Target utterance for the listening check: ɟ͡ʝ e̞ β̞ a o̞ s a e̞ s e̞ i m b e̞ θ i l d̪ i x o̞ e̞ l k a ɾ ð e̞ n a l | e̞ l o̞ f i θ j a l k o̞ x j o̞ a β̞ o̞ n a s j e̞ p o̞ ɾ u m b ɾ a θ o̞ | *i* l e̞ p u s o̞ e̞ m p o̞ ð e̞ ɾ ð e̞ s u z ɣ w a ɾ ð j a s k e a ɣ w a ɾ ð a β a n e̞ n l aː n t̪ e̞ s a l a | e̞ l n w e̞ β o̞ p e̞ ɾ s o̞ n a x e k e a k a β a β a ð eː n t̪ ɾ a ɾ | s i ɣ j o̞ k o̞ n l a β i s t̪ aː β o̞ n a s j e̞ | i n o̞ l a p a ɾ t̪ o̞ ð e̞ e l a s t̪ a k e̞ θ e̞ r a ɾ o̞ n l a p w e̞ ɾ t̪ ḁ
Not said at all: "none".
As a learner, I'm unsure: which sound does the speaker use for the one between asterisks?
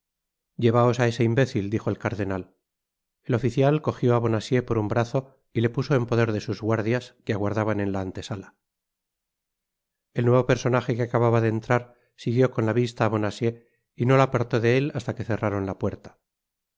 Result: i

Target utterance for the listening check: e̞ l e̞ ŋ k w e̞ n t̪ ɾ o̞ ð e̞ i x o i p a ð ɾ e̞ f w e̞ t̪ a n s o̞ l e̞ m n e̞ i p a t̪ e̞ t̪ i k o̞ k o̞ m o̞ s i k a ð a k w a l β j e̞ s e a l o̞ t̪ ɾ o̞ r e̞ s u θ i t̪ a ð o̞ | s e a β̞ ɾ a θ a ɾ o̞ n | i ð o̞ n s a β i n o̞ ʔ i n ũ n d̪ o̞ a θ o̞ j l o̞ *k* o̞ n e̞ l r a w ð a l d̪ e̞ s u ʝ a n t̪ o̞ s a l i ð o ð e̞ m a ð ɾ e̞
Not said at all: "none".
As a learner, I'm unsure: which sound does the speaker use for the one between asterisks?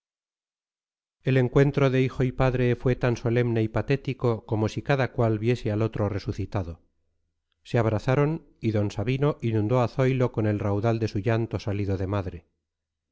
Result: k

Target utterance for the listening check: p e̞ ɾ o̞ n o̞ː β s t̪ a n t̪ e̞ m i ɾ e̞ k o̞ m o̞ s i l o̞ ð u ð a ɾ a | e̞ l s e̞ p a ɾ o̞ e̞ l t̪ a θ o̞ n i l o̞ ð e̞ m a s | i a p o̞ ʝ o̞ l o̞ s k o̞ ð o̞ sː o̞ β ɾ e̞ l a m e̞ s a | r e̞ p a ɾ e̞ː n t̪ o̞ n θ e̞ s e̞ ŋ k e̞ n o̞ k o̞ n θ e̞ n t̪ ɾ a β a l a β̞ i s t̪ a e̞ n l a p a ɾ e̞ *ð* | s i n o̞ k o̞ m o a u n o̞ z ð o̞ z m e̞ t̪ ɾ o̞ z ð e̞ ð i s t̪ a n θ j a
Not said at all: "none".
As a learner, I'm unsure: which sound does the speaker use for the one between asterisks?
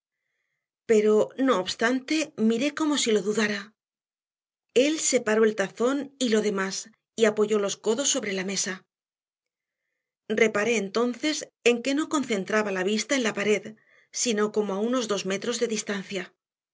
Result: ð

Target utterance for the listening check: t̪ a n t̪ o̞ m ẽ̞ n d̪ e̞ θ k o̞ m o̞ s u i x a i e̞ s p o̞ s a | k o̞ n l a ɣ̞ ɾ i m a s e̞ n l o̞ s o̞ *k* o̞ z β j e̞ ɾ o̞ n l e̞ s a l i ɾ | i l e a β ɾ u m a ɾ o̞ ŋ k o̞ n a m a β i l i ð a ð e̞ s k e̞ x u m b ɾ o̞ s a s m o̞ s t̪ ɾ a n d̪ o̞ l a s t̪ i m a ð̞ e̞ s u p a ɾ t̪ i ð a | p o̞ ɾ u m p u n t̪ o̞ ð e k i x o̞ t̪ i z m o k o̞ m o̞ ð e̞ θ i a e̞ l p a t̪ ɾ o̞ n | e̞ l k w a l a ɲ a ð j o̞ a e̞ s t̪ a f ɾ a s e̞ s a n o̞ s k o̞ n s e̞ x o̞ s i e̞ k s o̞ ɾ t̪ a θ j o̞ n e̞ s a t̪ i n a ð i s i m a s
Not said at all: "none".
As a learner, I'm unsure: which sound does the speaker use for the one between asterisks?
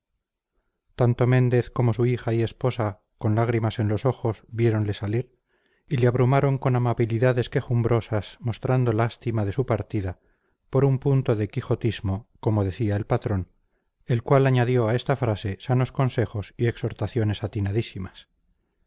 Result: x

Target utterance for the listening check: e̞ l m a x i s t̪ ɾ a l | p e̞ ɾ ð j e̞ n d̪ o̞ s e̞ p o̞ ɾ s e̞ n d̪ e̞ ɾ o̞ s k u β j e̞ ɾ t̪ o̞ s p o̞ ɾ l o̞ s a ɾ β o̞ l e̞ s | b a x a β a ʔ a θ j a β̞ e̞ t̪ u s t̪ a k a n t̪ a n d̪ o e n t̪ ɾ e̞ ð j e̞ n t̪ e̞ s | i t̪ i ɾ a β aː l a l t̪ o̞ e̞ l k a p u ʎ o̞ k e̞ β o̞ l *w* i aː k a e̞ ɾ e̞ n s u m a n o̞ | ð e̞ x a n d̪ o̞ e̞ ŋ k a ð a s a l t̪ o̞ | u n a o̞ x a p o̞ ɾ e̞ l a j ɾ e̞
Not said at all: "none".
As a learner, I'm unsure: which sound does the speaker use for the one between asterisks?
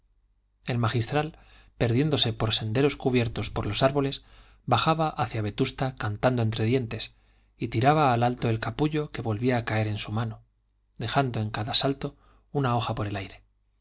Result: β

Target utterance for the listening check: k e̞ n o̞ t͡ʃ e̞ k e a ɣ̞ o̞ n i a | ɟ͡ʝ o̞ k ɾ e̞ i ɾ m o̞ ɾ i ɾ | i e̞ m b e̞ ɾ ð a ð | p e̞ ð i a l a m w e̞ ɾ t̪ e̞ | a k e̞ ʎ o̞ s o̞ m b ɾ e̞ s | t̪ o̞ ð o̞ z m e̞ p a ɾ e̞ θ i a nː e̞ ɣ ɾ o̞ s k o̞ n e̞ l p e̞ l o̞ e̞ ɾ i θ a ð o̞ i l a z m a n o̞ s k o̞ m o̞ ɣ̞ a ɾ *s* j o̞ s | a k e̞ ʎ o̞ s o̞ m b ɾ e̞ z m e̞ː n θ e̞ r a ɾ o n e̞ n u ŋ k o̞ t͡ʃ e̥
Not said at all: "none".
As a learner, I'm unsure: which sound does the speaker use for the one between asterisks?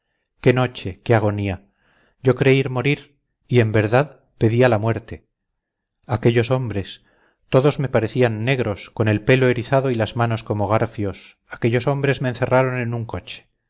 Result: f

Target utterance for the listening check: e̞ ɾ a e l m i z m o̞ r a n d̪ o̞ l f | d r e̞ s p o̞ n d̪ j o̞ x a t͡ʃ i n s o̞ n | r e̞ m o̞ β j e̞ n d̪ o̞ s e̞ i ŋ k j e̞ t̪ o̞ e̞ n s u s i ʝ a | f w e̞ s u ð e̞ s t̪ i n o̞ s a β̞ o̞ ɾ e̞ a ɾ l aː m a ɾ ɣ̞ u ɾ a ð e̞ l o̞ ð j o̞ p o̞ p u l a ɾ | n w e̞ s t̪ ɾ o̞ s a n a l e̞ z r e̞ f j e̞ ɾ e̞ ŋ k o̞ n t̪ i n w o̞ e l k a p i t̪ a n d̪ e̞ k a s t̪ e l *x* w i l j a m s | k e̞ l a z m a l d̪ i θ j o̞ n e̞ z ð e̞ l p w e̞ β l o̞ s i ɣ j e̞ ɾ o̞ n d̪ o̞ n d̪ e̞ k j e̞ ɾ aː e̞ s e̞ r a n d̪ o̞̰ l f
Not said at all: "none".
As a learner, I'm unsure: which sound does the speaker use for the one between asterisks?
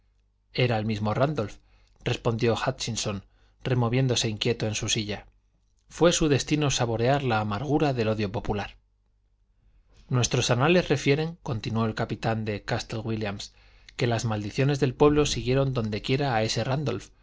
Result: ɣ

